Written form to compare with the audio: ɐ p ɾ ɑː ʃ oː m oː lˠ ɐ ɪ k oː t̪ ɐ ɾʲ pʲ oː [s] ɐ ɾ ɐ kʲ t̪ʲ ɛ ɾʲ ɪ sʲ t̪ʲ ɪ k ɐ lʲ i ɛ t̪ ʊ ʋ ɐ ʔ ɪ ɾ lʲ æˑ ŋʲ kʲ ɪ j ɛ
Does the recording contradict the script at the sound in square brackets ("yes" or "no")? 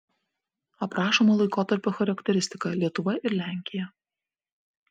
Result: yes